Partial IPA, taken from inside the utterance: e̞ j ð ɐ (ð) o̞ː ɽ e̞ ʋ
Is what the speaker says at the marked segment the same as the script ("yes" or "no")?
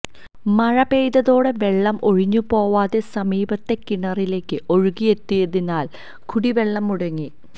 yes